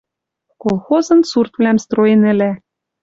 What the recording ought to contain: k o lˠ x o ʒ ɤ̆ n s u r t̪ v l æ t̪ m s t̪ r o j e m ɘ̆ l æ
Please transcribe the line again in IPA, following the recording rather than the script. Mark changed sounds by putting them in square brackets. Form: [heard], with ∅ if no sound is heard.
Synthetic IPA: k o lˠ x o [z] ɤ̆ n s u r t̪ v l æ [∅] m s t̪ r o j e [n] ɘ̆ l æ